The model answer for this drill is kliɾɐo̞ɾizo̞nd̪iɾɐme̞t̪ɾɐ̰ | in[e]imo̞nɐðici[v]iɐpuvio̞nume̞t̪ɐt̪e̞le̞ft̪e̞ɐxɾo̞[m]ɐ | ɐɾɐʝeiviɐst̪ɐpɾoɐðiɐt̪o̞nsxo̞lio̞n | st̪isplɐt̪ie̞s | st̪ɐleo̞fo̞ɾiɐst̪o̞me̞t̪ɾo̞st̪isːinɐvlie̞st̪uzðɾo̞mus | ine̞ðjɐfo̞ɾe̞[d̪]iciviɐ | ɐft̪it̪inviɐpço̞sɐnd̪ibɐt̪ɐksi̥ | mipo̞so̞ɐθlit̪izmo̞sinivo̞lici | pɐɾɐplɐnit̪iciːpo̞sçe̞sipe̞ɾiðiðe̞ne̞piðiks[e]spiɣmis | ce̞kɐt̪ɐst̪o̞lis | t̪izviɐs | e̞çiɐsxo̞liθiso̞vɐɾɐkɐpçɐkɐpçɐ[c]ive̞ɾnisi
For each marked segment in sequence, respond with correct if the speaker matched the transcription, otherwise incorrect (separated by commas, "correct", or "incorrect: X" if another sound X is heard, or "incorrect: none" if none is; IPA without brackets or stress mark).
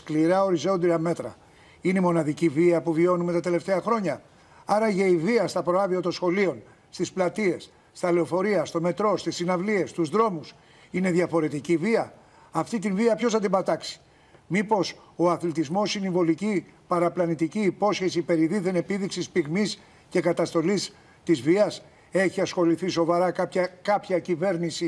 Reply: correct, correct, incorrect: ɲ, incorrect: t̪, incorrect: i, correct